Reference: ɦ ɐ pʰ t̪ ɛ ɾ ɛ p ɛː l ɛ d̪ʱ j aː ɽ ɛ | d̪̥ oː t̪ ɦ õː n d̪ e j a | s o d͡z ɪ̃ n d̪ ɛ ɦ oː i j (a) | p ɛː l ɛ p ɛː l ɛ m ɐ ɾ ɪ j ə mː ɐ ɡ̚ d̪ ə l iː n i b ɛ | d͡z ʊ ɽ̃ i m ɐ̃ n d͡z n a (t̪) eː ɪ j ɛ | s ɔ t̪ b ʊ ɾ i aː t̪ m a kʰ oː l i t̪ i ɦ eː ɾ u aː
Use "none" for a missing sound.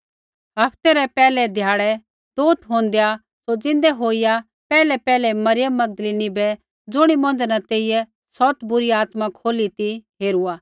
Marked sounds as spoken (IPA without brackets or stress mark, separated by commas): a, t̪